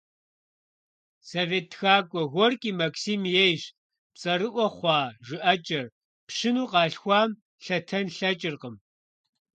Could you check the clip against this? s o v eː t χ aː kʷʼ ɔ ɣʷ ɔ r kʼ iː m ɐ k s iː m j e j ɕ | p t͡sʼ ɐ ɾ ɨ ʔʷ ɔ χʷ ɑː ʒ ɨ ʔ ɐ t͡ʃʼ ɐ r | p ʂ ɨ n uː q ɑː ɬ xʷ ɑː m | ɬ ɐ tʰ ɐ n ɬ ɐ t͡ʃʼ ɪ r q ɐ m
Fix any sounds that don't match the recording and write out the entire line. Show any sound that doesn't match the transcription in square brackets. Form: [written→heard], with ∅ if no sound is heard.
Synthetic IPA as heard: s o v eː t [χ→x] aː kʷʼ ɔ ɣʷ ɔ r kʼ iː m ɐ k s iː m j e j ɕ | p t͡sʼ ɐ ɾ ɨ ʔʷ ɔ χʷ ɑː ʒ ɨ ʔ ɐ t͡ʃʼ ɐ r | p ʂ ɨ n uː q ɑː ɬ xʷ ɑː m | ɬ ɐ tʰ ɐ n ɬ ɐ t͡ʃʼ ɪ r q [ɐ→ə] m